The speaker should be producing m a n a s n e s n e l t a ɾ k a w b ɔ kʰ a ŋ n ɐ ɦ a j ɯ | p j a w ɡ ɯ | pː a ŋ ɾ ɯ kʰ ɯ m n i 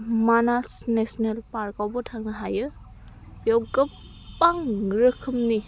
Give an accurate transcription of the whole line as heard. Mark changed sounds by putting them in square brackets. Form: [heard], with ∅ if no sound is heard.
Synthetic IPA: m a n a s n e s n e l [p] a ɾ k a w b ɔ [tʰ] a ŋ n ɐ ɦ a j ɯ | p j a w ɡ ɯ | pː a ŋ ɾ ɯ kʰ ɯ m n i